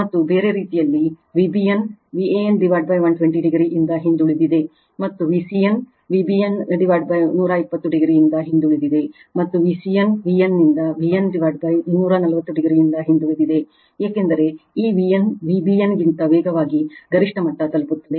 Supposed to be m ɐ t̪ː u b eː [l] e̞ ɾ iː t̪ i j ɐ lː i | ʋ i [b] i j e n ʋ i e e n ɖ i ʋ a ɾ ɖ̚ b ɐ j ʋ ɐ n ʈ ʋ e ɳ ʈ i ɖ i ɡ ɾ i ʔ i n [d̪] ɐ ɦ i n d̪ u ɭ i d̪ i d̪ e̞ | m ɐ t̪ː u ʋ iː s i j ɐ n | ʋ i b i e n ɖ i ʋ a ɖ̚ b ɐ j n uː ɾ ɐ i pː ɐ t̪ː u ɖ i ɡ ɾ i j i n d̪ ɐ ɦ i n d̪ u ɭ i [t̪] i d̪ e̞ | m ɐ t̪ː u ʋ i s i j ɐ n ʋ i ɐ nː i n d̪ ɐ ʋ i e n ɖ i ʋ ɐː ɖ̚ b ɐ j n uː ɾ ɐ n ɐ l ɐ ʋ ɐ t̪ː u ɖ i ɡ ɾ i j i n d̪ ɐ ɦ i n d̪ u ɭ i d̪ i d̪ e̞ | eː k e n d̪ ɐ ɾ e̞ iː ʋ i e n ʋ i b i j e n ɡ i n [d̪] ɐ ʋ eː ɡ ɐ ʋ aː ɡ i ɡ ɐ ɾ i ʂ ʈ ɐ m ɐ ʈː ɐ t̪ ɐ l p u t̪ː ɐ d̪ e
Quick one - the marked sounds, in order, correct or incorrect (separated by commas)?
incorrect, correct, correct, incorrect, incorrect